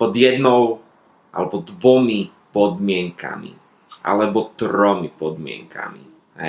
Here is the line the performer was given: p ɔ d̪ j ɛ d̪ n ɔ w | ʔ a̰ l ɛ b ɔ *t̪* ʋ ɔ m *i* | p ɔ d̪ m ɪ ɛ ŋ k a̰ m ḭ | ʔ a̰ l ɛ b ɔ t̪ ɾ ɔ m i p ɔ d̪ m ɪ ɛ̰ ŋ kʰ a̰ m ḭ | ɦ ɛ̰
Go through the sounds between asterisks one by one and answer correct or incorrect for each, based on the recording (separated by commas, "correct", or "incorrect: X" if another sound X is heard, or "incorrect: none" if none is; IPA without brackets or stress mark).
incorrect: d̪, correct